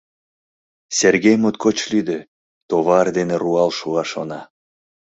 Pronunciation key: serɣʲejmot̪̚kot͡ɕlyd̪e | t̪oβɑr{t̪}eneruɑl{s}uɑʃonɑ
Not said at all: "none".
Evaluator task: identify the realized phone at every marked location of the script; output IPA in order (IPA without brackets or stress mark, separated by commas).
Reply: d̪, ʃ